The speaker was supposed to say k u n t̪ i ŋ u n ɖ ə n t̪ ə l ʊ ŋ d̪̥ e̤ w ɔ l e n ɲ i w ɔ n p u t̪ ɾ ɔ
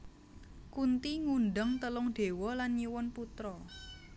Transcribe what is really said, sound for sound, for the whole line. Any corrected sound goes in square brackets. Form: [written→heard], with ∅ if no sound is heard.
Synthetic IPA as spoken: k u n t̪ i ŋ u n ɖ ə [n→ŋ] t̪ ə l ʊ ŋ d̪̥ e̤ w ɔ l [e→a] n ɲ i w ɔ n p u t̪ ɾ ɔ